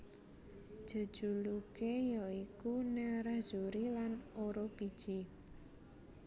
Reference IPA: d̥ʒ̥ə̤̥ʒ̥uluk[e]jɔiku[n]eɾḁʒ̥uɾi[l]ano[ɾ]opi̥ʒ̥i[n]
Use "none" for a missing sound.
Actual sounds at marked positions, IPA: e, n, l, ɾ, none

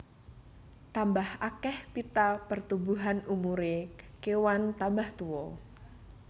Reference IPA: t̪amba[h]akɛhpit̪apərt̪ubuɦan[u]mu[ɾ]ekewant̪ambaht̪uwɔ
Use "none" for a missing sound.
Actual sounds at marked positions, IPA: h, u, ɾ

